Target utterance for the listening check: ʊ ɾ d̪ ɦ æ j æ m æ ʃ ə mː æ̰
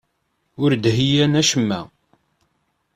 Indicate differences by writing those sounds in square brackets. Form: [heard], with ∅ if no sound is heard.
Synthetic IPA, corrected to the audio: ʊ ɾ d̪ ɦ [i] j æ [n] æ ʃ ə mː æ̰